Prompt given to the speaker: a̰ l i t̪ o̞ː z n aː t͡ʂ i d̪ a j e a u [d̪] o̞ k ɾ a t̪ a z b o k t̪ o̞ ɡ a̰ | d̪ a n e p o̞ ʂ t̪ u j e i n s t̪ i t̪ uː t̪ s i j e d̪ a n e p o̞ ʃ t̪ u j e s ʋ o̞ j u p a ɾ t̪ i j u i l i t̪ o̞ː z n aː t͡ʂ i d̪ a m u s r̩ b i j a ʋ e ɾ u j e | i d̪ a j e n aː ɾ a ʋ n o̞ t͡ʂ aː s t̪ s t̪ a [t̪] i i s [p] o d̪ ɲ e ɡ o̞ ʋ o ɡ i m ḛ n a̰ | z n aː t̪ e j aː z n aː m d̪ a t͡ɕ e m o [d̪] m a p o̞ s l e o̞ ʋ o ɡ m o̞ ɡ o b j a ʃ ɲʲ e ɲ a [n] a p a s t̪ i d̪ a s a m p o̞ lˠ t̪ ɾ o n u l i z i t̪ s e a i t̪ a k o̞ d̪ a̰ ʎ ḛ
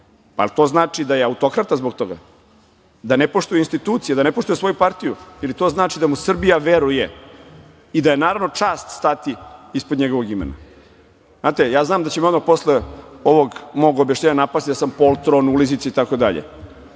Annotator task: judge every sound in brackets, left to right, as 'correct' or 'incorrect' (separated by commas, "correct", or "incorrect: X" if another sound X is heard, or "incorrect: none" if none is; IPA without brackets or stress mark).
incorrect: t̪, correct, correct, correct, correct